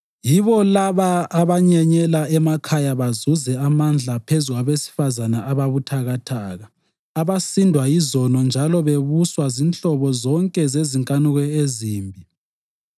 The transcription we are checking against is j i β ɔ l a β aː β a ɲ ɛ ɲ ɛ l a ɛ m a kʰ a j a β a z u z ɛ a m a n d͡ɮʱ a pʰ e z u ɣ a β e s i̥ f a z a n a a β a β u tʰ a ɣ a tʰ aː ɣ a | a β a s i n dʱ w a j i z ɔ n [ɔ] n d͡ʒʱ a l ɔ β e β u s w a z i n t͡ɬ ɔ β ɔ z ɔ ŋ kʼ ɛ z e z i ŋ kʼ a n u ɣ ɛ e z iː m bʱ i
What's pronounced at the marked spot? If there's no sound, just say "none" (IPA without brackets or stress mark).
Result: ɔ